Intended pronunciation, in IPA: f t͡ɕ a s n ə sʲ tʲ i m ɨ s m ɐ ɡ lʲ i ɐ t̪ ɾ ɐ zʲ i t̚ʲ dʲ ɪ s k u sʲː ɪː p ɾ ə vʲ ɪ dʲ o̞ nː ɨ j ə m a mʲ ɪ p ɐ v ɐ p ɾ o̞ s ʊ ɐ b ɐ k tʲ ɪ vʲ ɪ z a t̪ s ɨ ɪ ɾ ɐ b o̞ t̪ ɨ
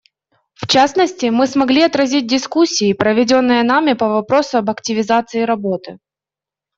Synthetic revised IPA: f t͡ɕ a s n ə sʲ tʲ ɪ m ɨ s m ɐ ɡ lʲ i ɐ t̪ ɾ ɐ zʲ i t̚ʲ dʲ ɪ s k u sʲː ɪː p ɾ ə vʲ ɪ dʲ o̞ nː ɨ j ə n a mʲ ɪ p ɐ v ɐ p ɾ o̞ s ʊ ɐ b ɐ k tʲ ɪ vʲ ɪ z a t̪ s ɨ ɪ ɾ ɐ b o̞ t̪ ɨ

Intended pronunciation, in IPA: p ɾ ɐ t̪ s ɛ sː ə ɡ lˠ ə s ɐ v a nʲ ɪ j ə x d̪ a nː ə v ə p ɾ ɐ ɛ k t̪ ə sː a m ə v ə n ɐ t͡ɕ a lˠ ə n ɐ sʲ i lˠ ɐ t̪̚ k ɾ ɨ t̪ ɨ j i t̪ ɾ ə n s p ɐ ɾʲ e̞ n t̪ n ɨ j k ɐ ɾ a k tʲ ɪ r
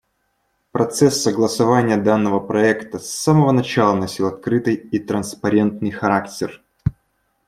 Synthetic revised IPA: p ɾ ɐ t̪ s ɛ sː ə ɡ lˠ ə s ɐ v a nʲ ɪ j ə d̪ a nː ə v ə p ɾ ɐ ɛ k t̪ ə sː a m ə v ə n ɐ t͡ɕ a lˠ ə n ɐ sʲ i lˠ ɐ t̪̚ k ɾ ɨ t̪ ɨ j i t̪ ɾ ə n s p ɐ ɾʲ e̞ n t̪ n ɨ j x ɐ ɾ a k tʲ ɪ r

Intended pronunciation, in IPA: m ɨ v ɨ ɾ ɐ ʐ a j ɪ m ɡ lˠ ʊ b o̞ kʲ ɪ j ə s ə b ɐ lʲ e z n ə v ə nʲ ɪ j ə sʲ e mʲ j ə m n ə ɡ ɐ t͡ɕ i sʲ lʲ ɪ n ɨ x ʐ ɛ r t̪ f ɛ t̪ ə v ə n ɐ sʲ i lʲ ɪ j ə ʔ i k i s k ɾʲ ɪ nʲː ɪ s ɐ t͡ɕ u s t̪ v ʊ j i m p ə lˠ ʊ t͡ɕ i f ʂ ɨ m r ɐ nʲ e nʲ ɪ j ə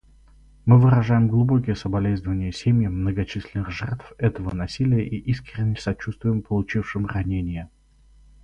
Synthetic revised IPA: m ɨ v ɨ ɾ ɐ ʐ a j ɪ m ɡ lˠ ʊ b o̞ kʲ ɪ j ə s ə b ɐ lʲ e z n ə v ə nʲ ɪ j ə sʲ e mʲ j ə m n ə ɡ ɐ t͡ɕ i sʲ lʲ ɪ n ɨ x ʐ ɛ r t̪ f ɛ t̪ ə v ə n ɐ sʲ i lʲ ɪ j ə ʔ i ʔ i s k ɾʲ ɪ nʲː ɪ s ɐ t͡ɕ u s t̪ v ʊ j ɪ m p ə lˠ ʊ t͡ɕ i f ʂ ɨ m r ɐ nʲ e nʲ ɪ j ə

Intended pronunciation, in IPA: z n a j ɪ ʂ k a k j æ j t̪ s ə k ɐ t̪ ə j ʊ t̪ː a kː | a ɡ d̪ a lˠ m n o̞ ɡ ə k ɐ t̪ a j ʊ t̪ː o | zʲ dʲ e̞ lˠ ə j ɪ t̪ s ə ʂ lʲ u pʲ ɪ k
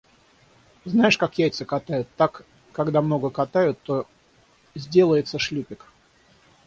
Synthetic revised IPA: z n a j ɪ ʂ k a k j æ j t̪ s ə k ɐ t̪ a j ʊ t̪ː a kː | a ɡ d̪ a m n o̞ ɡ ə k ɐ t̪ a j ʊ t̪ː o | zʲ dʲ e̞ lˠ ə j ɪ t̪ s ə ʂ lʲ u pʲ ɪ k

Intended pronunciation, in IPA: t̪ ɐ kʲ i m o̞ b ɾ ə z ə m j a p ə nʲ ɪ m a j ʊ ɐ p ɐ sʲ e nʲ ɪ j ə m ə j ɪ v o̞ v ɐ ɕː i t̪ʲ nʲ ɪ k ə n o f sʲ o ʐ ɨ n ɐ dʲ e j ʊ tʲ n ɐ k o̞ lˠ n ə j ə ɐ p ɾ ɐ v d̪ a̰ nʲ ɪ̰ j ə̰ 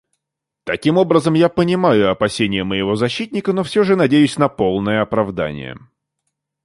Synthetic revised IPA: t̪ ɐ kʲ i m o̞ b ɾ ə z ə m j a p ə nʲ ɪ m a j ʊ ɐ p ɐ sʲ e nʲ ɪ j ə m ə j ɪ v o̞ z ɐ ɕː i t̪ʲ nʲ ɪ k ə n o f sʲ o ʐ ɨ n ɐ dʲ e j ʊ sʲ n ɐ p o̞ lˠ n ə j ə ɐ p ɾ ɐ v d̪ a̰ nʲ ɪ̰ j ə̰

